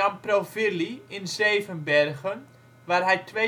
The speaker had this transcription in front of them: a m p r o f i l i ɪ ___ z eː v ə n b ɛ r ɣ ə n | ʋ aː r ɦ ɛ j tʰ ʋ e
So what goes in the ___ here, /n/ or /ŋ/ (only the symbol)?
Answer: n